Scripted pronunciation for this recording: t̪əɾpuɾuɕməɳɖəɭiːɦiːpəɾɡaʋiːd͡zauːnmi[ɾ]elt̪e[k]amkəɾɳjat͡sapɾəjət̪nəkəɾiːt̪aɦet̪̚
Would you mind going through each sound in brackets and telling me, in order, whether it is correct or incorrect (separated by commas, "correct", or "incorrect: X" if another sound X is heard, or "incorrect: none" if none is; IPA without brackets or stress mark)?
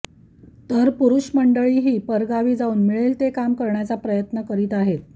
incorrect: ɭ, correct